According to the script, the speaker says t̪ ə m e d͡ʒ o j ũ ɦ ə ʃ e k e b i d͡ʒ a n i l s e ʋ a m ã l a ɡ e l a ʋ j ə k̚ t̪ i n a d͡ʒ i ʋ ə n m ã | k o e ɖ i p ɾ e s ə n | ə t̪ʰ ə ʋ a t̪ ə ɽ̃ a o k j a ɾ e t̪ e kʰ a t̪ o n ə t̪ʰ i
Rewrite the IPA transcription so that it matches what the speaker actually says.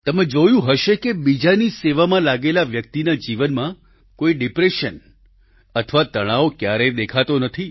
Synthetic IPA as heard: t̪ ə m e d͡ʒ o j ũ ɦ ə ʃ e k e b i d͡ʒ a n i s e ʋ a m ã l a ɡ e l a ʋ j ə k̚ t̪ i n a d͡ʒ i ʋ ə n m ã | k o i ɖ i p ɾ e ʃ ə n | ə t̪ʰ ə ʋ a t̪ ə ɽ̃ a o k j a ɾ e d̪ e kʰ a t̪ o n ə t̪ʰ i